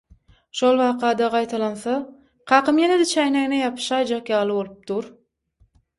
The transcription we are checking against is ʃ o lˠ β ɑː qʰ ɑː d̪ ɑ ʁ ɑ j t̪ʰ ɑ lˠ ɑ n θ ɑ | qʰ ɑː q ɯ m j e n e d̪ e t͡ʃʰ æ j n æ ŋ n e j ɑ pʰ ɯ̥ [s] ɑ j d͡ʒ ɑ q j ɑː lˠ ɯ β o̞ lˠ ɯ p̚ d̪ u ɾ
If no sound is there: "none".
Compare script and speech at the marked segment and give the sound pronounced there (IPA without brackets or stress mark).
ʃ